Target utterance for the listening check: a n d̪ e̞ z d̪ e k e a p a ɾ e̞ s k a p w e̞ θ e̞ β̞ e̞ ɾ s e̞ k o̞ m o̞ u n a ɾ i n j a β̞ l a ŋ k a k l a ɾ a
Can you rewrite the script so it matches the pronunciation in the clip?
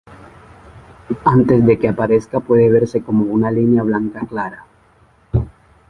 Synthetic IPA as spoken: a n t̪ e̞ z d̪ e k e a p a ɾ e̞ s k a p w e̞ ð e̞ β̞ e̞ ɾ s e̞ k o̞ m o̞ u n a l i n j a β̞ l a ŋ k a k l a ɾ a